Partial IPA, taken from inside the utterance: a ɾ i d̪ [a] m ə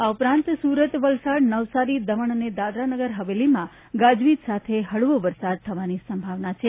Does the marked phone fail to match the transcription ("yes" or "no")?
yes